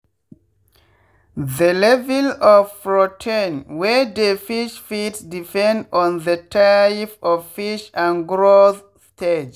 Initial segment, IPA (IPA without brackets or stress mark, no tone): ð